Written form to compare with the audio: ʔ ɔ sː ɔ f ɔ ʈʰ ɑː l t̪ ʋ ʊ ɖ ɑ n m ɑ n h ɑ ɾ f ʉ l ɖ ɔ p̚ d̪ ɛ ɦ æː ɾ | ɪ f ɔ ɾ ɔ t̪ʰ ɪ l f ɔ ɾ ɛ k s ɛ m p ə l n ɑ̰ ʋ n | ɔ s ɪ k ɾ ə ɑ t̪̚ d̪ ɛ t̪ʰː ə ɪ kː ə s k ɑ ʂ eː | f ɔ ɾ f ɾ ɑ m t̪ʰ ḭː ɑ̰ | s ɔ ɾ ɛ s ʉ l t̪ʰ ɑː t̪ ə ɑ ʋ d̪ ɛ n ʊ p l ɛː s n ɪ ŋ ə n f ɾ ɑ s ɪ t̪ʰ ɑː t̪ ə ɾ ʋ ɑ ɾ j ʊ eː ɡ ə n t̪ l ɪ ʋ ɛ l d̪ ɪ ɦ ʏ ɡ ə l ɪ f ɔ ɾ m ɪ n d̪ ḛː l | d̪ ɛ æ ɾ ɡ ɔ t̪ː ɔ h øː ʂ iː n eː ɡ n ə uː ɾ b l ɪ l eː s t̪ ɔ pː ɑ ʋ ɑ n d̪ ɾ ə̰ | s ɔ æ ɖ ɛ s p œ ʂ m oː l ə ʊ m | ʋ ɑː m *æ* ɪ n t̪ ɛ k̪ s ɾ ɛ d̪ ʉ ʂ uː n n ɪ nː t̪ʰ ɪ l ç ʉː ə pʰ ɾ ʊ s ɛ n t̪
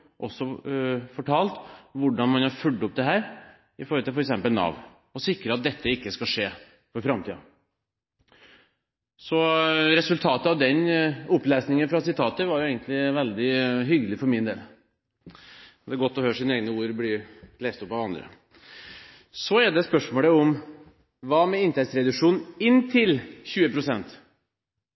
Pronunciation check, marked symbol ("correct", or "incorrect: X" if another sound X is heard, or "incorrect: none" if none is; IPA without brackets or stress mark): incorrect: ɛ